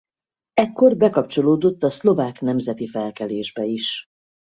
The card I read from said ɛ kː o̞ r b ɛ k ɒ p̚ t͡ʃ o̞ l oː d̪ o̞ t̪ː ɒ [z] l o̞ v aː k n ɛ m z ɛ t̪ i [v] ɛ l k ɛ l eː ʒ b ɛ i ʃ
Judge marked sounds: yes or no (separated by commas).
no, no